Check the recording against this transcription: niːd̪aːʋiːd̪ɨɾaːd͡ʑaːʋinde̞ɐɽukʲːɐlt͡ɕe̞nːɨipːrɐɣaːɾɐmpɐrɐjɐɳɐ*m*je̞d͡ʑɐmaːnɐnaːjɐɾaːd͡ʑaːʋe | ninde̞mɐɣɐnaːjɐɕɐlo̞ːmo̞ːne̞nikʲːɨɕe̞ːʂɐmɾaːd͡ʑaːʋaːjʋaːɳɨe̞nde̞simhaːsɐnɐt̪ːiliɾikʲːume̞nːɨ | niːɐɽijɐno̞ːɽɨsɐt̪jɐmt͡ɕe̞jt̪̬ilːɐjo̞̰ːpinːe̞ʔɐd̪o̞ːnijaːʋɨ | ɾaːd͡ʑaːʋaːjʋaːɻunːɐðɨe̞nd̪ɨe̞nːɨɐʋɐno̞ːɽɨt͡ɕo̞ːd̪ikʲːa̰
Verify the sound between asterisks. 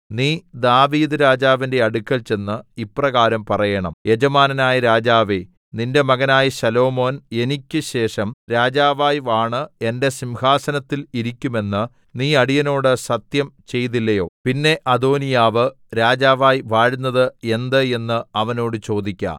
correct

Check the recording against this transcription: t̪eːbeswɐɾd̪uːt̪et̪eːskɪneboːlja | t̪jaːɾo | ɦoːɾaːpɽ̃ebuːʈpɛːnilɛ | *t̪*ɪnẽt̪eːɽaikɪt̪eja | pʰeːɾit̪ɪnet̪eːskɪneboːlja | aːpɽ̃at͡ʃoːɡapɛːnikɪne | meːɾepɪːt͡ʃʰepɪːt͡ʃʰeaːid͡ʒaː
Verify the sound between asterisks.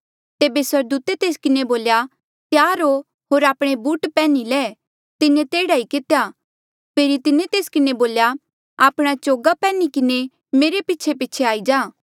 correct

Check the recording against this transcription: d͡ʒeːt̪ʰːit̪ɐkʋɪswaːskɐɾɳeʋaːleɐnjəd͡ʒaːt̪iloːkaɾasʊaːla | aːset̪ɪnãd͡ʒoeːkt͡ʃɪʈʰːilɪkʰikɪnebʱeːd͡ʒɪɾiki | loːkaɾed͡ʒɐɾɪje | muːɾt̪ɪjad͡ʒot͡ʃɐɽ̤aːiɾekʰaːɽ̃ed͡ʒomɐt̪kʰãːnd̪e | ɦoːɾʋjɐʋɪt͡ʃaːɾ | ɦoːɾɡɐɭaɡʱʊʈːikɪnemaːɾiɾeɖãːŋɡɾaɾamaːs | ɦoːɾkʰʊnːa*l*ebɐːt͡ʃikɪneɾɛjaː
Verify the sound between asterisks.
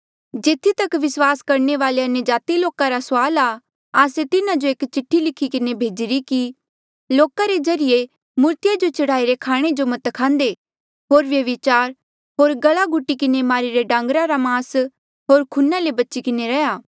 correct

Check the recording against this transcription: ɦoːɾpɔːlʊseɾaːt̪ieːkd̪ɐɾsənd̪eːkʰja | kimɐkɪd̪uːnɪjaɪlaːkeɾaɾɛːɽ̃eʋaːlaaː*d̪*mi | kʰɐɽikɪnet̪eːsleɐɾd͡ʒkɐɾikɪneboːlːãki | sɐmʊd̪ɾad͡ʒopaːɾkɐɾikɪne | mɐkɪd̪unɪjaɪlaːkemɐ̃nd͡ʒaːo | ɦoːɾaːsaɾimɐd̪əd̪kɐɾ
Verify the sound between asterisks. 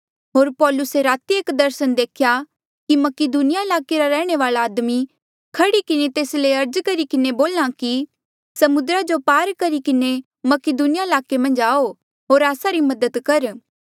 correct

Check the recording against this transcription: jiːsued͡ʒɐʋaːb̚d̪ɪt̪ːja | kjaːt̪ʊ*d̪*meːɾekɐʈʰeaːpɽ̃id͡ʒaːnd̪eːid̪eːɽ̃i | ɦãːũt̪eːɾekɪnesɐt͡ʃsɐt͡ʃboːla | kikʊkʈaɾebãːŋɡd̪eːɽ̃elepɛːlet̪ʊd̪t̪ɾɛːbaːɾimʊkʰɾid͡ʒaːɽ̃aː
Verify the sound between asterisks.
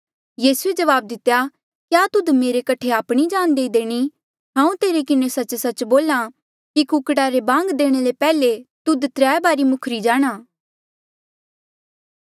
correct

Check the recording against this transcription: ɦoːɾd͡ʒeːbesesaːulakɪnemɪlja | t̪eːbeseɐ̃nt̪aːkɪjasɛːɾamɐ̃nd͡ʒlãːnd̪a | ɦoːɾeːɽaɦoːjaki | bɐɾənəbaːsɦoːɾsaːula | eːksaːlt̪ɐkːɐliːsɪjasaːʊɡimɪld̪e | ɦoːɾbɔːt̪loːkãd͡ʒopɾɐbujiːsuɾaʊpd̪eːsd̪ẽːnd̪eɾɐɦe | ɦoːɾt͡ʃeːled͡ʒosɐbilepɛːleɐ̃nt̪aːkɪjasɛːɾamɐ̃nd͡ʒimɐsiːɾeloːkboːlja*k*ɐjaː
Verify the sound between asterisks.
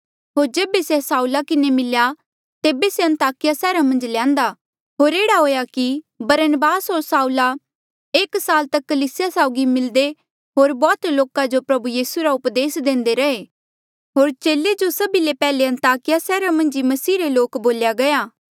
incorrect: ɡ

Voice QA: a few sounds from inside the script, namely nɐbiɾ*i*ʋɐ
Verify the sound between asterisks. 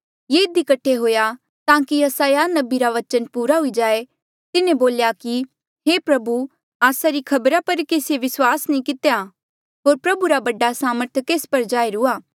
incorrect: a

